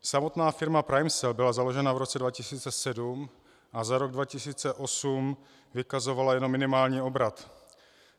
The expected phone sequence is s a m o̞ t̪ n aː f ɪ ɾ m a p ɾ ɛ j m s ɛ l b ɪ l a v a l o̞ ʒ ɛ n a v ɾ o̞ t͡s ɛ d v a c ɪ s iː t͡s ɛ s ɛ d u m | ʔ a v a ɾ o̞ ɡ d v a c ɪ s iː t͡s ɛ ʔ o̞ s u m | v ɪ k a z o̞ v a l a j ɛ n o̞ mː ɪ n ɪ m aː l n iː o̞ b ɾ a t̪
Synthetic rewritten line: s a m o̞ t̪ n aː f ɪ ɾ m a p ɾ a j m s ɛ l b ɪ l a z a l o̞ ʒ ɛ n a v ɾ o̞ t͡s ɛ d v a c ɪ s iː t͡s ɛ s ɛ d u m | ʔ a z a ɾ o̞ ɡ d v a c ɪ s iː t͡s ɛ ʔ o̞ s u m | v ɪ k a z o̞ v a l a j ɛ n o̞ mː ɪ n ɪ m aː l ɲ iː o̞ b ɾ a t̪

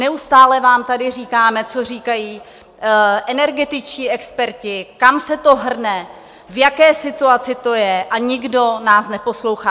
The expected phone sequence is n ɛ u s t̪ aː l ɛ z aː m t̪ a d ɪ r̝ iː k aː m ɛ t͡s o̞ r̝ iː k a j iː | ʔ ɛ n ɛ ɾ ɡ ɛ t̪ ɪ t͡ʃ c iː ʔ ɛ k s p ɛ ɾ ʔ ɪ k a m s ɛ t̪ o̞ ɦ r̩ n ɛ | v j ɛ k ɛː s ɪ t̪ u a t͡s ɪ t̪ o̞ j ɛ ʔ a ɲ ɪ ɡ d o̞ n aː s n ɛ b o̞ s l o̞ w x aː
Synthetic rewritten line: n ɛ u s t̪ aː l ɛ v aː m t̪ a d ɪ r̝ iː k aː m ɛ t͡s o̞ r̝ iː k a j iː | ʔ ɛ n ɛ ɾ ɡ ɛ t̪ ɪ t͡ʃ c iː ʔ ɛ k s p ɛ ɾ c ɪ k a m s ɛ t̪ o̞ ɦ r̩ n ɛ | v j a k ɛː s ɪ t̪ u a t͡s ɪ t̪ o̞ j ɛ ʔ a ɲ ɪ ɡ d o̞ n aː s n ɛ p o̞ s l o̞ w x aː

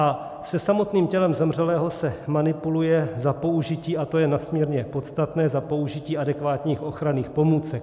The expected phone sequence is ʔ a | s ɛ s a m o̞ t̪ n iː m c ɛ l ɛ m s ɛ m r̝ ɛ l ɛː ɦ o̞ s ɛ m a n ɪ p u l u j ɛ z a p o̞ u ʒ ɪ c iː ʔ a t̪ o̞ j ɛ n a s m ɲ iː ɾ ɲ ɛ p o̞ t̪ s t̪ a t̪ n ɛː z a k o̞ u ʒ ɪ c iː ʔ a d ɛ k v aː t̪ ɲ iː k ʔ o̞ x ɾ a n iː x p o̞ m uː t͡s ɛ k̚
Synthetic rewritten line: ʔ a | s ɛ s a m o̞ t̪ n iː m c ɛ l ɛ m z ɛ m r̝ ɛ l ɛː ɦ o̞ s ɛ m a n ɪ p u l u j ɛ z a p o̞ u ʒ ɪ c iː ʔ a t̪ o̞ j ɛ n a s m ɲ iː ɾ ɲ ɛ p o̞ t̪ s t̪ a t̪ n ɛː z a p o̞ u ʒ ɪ c iː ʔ a d ɛ k v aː t̪ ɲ iː x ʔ o̞ x ɾ a n iː x p o̞ m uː t͡s ɛ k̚

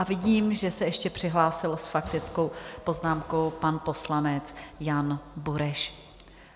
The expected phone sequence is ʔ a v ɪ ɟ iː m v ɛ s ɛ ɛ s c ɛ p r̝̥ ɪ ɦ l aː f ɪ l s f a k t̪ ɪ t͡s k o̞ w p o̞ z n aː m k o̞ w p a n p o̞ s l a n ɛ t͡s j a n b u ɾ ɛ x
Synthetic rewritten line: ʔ a v ɪ ɟ iː m ʒ ɛ s ɛ ɛ ʃ c ɛ p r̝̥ ɪ ɦ l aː s ɪ l s f a k t̪ ɪ t͡s k o̞ w p o̞ z n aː m k o̞ w p a n p o̞ s l a n ɛ t͡s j a n b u ɾ ɛ ʃ

